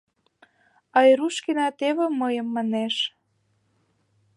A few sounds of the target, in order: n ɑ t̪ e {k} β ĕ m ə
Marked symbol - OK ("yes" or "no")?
no